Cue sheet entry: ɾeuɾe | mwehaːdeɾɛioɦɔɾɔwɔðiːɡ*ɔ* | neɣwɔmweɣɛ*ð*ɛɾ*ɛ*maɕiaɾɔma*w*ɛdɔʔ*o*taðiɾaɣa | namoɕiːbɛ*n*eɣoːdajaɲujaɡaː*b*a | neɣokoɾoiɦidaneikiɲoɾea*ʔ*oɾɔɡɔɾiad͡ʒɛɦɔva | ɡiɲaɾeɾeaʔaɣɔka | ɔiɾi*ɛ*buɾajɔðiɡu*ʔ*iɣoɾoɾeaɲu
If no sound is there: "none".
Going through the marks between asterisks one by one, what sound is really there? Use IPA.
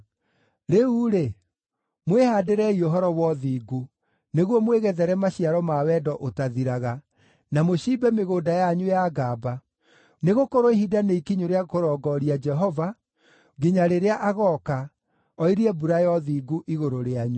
u, ð, ɛ, w, o, m, b, k, ɛ, ʔ

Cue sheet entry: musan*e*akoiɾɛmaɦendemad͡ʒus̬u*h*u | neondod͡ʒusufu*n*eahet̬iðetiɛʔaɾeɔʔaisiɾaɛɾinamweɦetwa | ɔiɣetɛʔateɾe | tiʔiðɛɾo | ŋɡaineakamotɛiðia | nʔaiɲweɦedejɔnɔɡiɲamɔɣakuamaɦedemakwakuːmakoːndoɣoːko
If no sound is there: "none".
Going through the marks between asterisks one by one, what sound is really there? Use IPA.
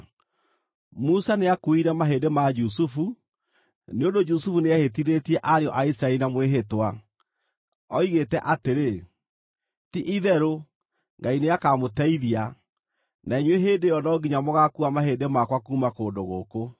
e, f, n

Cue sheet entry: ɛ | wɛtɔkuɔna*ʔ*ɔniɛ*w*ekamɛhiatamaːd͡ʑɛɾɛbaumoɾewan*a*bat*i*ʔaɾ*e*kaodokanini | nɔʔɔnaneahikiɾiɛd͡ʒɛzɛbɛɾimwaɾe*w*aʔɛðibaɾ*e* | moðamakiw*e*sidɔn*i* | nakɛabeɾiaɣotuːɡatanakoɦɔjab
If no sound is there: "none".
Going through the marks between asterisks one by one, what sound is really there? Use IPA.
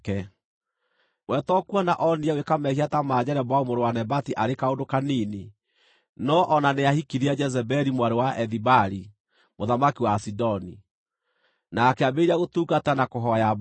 ʔ, w, ɛ, i, e, w, i, a, i

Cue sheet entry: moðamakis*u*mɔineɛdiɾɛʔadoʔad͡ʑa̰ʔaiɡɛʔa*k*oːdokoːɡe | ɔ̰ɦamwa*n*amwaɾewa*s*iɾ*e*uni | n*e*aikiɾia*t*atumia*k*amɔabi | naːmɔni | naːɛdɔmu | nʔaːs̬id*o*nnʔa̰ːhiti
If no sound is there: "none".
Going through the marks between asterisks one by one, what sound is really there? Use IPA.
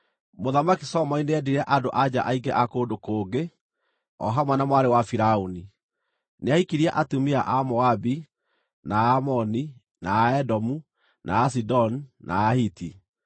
ɔ, k, n, f, a, e, ʔ, ʔ, ɔ

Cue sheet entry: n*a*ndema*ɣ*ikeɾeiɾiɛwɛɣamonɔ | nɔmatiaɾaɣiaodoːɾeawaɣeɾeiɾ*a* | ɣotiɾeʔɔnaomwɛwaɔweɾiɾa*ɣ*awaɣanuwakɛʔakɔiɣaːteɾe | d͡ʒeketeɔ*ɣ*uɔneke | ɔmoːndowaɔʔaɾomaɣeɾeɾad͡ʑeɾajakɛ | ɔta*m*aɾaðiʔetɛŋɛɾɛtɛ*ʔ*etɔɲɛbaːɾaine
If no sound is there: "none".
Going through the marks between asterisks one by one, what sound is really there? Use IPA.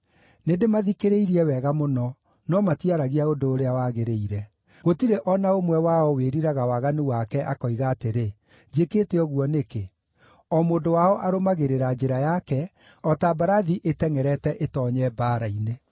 e, ð, ɛ, ɣ, ɣ, b, ʔ

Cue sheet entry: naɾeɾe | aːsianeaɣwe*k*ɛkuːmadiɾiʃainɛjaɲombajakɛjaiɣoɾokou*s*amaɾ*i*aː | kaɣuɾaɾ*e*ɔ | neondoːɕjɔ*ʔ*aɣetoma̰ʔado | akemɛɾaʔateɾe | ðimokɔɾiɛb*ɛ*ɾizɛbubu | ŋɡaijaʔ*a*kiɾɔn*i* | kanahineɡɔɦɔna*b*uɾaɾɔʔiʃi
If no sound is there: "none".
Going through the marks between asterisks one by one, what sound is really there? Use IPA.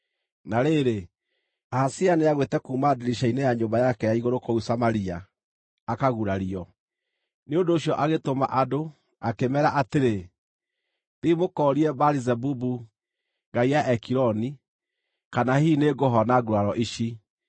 t, s, i, i, ʔ, a, ɛ, i, ɡ

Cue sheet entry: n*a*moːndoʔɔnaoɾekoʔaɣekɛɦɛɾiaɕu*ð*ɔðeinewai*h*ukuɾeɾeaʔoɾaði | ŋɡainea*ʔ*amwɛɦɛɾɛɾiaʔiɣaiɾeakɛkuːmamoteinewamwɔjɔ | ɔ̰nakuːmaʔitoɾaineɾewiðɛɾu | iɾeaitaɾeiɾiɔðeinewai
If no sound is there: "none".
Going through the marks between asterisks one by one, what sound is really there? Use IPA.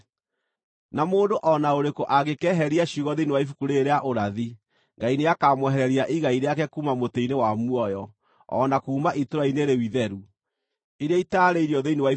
a, ɣ, f, k

